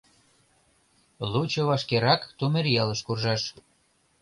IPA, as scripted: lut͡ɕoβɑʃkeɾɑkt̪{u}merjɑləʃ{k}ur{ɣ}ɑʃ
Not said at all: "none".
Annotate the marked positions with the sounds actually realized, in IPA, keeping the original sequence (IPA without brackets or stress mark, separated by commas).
u, k, ʒ